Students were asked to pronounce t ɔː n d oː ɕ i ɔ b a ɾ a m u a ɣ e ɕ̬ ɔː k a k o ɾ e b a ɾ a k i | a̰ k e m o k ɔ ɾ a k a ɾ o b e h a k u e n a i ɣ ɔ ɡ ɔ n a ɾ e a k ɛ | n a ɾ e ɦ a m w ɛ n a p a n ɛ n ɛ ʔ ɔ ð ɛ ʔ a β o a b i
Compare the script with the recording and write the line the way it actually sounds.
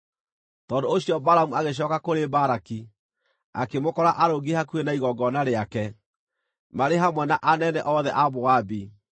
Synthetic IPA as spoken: t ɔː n d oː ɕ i ɔ b a ɾ a m u a ɣ e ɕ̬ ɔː k a k o ɾ e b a ɾ a k i | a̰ k e m o k ɔ ɾ a ʔ a ɾ o ɡ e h a k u e n a i ɣ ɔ ɡ ɔ n a ɾ e a k ɛ | m a ɾ e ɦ a m w ɛ n a ʔ a n ɛ n ɛ ʔ ɔ ð ɛ ʔ a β o a b i